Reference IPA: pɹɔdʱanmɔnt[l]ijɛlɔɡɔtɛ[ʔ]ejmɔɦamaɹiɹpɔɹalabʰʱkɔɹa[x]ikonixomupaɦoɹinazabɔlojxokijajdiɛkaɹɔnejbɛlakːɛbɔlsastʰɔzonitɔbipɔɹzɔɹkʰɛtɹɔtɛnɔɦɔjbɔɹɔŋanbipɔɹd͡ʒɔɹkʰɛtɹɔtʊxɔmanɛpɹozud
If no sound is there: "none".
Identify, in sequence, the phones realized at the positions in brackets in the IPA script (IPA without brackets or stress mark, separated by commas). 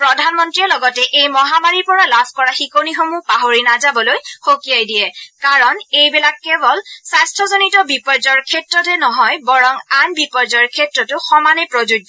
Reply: ɹ, ʔ, x